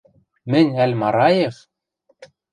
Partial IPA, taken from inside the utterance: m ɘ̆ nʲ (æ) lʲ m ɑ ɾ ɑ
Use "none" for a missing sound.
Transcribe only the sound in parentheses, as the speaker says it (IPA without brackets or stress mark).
æ